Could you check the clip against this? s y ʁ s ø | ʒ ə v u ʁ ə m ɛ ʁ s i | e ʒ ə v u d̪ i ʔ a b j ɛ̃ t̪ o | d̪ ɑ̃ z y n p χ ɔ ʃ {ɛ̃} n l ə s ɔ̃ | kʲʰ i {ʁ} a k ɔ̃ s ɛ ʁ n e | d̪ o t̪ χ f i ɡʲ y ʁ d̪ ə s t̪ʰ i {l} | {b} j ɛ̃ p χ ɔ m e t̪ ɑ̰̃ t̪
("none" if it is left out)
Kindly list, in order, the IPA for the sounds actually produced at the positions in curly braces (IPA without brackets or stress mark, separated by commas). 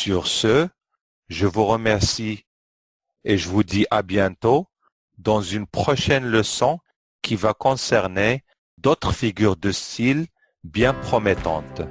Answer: ɛ, v, l, b